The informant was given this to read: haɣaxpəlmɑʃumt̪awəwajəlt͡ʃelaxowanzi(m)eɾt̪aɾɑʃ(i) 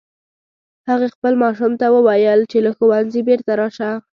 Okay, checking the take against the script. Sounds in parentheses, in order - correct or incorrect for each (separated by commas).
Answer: incorrect, incorrect